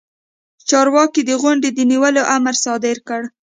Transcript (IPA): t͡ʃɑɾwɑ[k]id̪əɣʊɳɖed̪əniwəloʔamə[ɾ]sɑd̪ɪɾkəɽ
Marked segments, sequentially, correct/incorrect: correct, correct

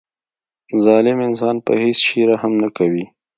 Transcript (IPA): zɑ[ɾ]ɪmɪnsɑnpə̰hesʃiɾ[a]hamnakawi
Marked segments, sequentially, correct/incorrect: incorrect, correct

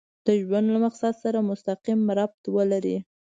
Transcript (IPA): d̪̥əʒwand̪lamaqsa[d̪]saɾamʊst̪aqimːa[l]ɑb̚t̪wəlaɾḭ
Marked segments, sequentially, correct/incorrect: correct, incorrect

